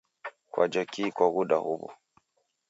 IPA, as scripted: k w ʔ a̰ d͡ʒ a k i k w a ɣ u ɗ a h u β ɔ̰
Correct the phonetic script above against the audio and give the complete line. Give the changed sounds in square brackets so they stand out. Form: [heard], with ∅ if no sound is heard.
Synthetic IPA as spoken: k w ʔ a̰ d͡ʒ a k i k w a ɣ u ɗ a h u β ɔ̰